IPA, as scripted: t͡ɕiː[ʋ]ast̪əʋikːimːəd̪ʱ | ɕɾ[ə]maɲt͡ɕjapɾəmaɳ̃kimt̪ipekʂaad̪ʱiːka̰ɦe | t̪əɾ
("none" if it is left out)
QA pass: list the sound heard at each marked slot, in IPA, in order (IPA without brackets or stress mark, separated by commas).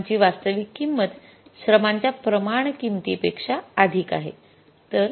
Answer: ʋ, ə